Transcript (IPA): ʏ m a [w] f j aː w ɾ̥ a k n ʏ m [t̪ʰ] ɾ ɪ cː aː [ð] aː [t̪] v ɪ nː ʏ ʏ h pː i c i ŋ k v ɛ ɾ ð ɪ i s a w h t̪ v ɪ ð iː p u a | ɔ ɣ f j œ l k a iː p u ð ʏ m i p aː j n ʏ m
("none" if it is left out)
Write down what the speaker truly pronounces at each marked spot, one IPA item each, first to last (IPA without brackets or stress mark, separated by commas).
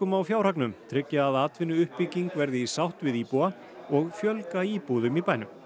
w, t̪ʰ, ð, t̪